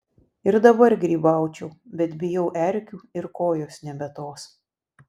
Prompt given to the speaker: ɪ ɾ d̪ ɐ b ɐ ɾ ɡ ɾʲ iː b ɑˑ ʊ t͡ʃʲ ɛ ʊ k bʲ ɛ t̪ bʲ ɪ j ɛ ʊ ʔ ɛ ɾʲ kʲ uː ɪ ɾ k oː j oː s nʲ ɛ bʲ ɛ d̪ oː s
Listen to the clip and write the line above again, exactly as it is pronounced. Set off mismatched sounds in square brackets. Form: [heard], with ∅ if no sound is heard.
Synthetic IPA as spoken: ɪ ɾ d̪ ɐ b ɐ ɾ ɡ ɾʲ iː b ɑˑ ʊ t͡ʃʲ ɛ ʊ [∅] bʲ ɛ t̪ bʲ ɪ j ɛ ʊ ʔ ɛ ɾʲ kʲ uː ɪ ɾ k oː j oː s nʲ ɛ bʲ ɛ [t̪] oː s